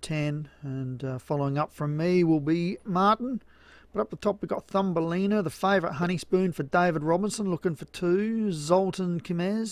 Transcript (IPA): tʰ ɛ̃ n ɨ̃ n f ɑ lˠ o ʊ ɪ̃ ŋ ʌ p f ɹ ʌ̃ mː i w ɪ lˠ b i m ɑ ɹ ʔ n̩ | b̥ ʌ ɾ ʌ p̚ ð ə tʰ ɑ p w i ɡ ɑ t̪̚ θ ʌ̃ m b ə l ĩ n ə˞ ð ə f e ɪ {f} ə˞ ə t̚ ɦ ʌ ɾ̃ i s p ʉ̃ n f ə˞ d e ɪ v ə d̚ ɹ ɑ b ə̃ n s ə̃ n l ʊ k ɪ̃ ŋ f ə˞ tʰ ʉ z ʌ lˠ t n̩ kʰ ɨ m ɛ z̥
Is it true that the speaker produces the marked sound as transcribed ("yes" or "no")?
no